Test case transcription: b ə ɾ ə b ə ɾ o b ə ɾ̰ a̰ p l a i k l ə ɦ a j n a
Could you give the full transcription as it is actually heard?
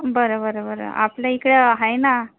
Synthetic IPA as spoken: b ə ɾ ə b ə ɾ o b ə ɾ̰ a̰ p l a i k ɽ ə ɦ a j n a

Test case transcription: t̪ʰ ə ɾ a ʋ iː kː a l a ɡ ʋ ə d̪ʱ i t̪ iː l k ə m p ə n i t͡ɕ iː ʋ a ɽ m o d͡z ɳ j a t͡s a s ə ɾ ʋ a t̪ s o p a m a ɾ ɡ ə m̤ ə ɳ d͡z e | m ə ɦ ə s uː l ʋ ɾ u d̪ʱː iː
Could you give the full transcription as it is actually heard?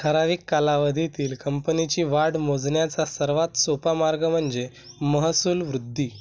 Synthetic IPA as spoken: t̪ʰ ə ɾ a ʋ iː kː a l a ʋ ə d̪ʱ i t̪ iː l k ə m p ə n i t͡ɕ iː ʋ a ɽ m o d͡z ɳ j a t͡s a s ə ɾ ʋ a t̪ s o p a m a ɾ ɡ ə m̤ ə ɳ d͡z e | m ə ɦ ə s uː l ʋ ɾ u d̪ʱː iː

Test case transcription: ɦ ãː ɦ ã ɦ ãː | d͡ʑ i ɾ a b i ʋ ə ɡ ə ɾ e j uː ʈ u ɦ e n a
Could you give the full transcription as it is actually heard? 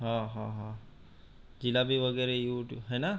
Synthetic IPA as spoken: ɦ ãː ɦ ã ɦ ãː | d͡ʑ i l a b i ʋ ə ɡ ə ɾ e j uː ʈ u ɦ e n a

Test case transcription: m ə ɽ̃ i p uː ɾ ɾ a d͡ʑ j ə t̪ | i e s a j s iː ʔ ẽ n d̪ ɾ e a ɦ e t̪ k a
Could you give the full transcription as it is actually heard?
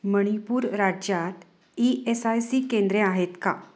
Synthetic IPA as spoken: m ə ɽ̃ i p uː ɾ ɾ a d͡ʑ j a t̪ | i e s a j s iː k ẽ n d̪ ɾ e a ɦ e t̪ k a

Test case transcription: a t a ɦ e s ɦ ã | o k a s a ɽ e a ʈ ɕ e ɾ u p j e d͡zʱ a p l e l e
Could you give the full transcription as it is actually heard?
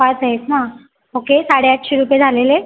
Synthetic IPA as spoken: a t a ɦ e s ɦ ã | o k e s a ɽ e a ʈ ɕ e ɾ u p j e d͡zʱ a l e l e

